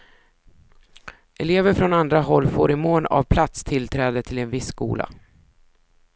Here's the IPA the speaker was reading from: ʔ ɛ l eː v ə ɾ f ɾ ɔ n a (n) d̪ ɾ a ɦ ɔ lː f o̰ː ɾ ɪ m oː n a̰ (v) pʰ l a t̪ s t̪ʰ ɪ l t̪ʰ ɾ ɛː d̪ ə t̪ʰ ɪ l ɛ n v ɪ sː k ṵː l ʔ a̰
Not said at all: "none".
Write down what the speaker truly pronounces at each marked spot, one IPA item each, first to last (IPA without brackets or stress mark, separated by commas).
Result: n, v